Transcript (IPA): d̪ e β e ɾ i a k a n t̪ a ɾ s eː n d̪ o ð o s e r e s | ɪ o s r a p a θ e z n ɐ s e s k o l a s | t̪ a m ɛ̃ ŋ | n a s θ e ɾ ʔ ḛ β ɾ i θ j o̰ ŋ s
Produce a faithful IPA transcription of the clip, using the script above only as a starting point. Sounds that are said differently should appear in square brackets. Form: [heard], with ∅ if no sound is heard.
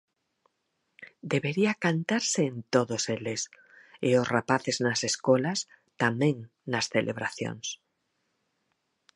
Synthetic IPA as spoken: d̪ e β e ɾ i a k a n t̪ a ɾ s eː n [t̪] o ð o s e [l] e s | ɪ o s r a p a θ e z n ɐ s e s k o l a s | t̪ a m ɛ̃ ŋ | n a s θ e [l] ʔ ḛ β ɾ [a] θ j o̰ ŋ s